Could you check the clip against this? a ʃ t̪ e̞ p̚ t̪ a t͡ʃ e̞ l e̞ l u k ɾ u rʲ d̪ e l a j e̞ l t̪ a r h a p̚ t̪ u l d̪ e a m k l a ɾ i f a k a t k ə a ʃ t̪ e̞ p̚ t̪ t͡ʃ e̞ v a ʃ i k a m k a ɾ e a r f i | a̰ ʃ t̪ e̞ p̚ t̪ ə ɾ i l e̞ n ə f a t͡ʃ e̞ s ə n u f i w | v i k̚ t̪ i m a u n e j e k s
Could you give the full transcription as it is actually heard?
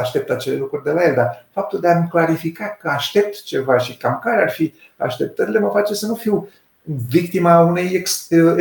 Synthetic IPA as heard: a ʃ t̪ e̞ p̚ t̪ a t͡ʃ e̞ l e̞ l u k ɾ u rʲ d̪ e l a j e̞ l d̪ a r f a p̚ t̪ u l d̪ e a m k l a ɾ i f i k a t k ə a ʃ t̪ e̞ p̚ t̪ t͡ʃ e̞ v a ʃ i k a m k a ɾ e a r f i | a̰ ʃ t̪ e̞ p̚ t̪ ə ɾ i l e̞ m ə f a t͡ʃ e̞ s ə n u f i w | v i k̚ t̪ i m a u n e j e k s